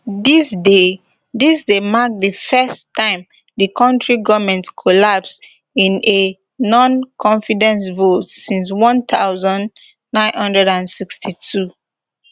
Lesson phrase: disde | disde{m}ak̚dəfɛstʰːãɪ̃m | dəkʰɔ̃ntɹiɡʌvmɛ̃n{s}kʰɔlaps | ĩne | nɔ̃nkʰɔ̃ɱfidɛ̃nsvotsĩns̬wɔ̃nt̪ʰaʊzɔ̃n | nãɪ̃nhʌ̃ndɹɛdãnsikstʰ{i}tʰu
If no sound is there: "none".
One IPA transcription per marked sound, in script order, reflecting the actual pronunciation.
m, t, i

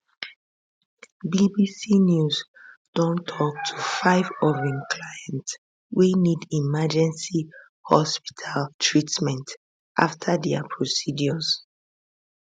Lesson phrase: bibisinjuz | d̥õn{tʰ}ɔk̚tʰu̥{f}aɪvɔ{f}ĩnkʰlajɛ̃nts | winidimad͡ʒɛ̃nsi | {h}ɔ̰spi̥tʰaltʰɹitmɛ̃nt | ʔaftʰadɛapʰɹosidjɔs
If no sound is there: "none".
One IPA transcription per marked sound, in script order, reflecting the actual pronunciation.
tʰ, f, v, h

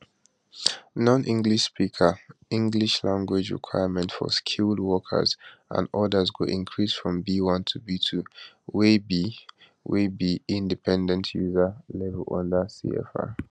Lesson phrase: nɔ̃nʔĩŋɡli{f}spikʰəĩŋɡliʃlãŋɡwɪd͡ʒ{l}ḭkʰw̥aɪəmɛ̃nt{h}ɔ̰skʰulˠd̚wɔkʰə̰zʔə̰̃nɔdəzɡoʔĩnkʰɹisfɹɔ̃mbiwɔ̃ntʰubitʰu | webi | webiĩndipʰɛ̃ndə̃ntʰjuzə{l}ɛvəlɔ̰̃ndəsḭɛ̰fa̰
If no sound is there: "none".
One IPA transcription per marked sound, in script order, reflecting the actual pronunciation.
ʃ, ɹ, f, l

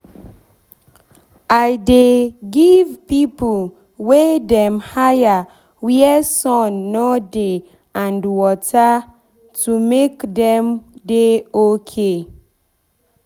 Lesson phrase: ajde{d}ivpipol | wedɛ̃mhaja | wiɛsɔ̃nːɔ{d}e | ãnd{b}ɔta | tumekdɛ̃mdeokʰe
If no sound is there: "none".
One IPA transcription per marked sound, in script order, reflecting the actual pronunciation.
ɡ, d, w

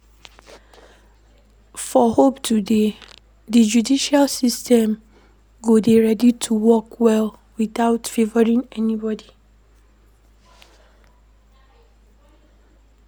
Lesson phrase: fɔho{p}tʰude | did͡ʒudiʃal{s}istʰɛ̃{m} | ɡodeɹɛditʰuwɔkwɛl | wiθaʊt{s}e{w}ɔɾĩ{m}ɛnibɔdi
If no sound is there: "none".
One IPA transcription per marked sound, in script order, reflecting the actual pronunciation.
p, s, m, f, v, ŋ

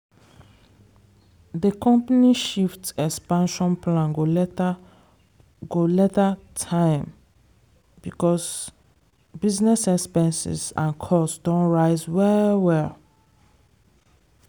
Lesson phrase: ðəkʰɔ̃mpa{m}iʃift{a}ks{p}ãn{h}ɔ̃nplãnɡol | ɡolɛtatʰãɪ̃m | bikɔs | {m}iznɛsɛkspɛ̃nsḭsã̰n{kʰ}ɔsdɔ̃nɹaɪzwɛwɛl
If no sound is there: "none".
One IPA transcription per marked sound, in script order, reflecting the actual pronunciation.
n, ɛ, p, ʃ, b, kʰ

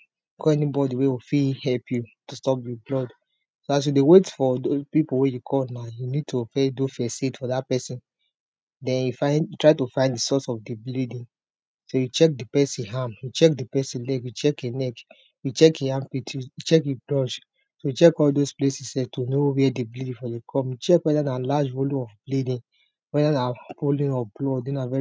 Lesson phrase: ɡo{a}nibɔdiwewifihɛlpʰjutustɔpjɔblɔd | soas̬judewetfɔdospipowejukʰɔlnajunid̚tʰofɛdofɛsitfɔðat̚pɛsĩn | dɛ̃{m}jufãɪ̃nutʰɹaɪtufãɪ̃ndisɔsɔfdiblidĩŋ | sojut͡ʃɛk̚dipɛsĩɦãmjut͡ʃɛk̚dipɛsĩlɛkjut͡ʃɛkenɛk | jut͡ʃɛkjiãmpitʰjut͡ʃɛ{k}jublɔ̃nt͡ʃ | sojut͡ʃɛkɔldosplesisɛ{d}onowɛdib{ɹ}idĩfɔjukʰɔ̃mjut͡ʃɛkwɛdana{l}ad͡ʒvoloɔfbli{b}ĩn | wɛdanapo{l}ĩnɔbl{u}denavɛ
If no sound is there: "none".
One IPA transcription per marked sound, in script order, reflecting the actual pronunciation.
ɛ, n, k, t, l, l, d, l, ɔ

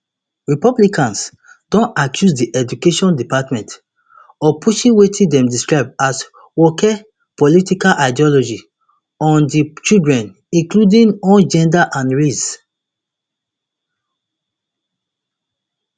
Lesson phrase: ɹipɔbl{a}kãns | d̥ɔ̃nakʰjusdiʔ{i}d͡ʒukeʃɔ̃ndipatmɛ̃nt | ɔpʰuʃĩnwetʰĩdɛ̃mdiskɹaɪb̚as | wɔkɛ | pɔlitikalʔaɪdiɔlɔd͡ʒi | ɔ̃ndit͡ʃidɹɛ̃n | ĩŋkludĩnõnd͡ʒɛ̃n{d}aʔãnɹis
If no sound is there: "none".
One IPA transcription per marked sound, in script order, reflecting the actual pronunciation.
i, ɛ, d

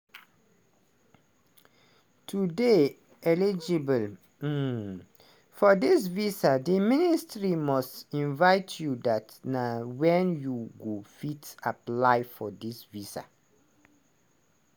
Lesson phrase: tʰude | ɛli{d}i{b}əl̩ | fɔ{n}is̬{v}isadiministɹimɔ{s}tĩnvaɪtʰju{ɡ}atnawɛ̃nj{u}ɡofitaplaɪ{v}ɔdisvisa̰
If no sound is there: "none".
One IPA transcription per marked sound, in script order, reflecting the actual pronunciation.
d͡ʒ, b, d, v, s, d, u, f

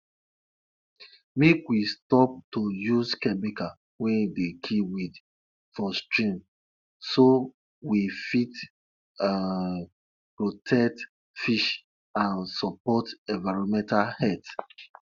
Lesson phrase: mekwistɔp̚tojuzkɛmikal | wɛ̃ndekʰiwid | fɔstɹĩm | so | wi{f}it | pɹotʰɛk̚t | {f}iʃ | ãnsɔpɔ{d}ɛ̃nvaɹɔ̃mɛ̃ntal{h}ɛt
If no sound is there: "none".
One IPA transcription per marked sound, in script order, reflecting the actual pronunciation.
f, f, t, h

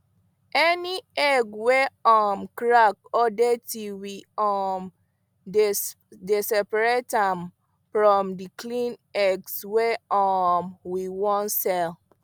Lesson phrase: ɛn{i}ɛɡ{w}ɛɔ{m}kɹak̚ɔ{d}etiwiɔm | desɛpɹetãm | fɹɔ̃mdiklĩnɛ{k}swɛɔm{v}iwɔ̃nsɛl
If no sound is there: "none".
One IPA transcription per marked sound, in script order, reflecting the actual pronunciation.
i, w, m, d, ɡ, w

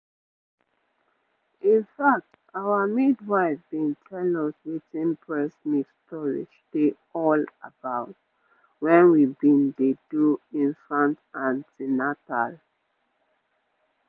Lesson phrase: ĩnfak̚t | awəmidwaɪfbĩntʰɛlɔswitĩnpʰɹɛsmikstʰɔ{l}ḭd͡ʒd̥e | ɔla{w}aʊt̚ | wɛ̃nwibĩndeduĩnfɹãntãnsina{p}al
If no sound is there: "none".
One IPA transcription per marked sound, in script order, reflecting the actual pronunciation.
ɹ, b, t

